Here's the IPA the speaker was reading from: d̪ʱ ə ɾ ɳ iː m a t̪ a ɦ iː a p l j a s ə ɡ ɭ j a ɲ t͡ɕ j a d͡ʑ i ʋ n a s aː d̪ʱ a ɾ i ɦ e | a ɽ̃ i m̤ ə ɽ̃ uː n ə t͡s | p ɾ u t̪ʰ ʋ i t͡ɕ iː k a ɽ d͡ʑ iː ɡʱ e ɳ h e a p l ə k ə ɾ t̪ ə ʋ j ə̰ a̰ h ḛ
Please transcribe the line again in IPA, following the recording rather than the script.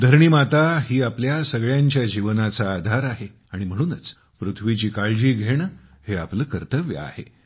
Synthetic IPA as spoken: d̪ʱ ə ɾ ɳ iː m a t̪ a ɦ iː a p l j a s ə ɡ ɭ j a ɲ t͡ɕ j a d͡ʑ i ʋ n a t͡s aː d̪ʱ a ɾ a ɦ e | a ɽ̃ i m̤ ə ɽ̃ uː n ə t͡s | p ɾ u t̪ʰ ʋ i t͡ɕ iː k a ɭ d͡ʑ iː ɡʱ e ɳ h e a p l ə k ə ɾ t̪ ə ʋ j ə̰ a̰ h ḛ